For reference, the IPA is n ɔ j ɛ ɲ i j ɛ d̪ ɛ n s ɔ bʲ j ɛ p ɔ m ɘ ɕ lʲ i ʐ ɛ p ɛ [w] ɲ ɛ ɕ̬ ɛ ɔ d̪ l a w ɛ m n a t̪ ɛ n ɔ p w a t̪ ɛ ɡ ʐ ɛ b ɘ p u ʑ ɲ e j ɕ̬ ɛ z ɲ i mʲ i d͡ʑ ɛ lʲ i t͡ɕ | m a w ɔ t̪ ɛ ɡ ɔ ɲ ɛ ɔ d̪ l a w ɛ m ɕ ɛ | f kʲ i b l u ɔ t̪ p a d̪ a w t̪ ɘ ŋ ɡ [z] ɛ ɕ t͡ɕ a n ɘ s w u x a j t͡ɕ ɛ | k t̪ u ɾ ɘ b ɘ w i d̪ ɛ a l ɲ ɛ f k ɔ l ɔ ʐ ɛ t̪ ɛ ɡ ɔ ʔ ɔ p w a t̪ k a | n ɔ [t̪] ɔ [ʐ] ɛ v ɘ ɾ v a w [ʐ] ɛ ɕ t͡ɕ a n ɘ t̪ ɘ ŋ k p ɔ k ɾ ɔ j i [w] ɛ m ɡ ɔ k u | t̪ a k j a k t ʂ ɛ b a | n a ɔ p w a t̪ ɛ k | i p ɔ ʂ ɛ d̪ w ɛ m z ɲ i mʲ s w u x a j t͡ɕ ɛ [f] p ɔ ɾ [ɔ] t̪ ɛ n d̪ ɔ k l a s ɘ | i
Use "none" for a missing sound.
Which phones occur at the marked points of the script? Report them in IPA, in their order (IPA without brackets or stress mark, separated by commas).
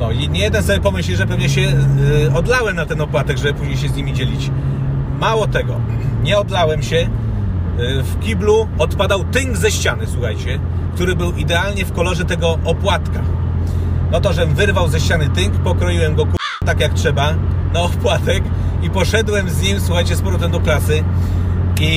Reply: v, z, t̪, ʐ, z, w, s, ɔ